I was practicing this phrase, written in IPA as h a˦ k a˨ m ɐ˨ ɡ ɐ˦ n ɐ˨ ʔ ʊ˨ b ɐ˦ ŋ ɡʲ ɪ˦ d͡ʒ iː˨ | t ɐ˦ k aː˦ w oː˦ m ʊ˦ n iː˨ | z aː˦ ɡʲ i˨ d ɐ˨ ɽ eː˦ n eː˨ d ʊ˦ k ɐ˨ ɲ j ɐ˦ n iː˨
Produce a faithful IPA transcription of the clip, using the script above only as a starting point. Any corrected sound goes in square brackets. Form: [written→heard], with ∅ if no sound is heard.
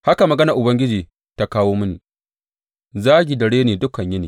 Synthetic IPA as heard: h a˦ k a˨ m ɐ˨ ɡ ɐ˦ n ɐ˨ ʔ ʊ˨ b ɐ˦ ŋ ɡʲ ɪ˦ d͡ʒ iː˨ | t [ɐ˦→a˦] k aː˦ w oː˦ m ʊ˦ n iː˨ | z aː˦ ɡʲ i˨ d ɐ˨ ɽ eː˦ n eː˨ d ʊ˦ k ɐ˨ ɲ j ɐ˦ n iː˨